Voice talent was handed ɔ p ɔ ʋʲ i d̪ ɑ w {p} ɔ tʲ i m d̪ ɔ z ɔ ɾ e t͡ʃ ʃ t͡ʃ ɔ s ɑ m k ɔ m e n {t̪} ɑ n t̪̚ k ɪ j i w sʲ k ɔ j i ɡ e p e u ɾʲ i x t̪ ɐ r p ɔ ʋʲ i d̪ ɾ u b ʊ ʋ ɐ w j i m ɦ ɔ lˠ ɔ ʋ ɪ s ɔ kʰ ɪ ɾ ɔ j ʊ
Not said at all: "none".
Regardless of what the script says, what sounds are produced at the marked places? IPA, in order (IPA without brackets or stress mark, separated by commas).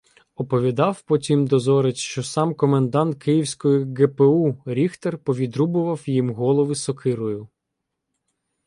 p, d̪